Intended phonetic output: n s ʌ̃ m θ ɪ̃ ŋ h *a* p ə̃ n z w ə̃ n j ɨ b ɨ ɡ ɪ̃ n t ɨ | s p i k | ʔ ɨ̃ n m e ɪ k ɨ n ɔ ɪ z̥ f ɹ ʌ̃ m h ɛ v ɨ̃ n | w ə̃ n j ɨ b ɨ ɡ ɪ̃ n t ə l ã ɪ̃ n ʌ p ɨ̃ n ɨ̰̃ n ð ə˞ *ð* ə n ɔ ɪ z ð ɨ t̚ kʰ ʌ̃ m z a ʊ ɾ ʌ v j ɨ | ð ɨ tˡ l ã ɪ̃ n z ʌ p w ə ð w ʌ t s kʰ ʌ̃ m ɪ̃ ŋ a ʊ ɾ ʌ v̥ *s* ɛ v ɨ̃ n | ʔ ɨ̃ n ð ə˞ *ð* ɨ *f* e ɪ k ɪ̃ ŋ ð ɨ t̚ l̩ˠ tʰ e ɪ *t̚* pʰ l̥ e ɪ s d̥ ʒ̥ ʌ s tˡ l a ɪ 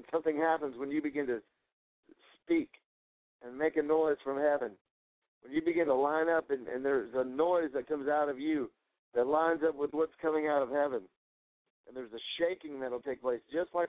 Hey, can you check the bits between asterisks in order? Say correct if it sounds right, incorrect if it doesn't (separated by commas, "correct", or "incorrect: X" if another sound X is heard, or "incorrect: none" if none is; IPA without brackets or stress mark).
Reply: incorrect: æ, incorrect: z, incorrect: h, incorrect: z, incorrect: ʃ, incorrect: k̚